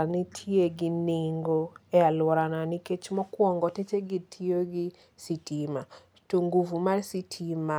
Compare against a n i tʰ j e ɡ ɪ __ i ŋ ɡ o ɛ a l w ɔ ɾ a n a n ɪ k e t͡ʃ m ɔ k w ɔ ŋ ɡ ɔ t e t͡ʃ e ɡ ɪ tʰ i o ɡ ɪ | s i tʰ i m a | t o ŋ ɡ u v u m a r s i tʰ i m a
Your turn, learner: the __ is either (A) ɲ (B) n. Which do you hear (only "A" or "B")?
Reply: B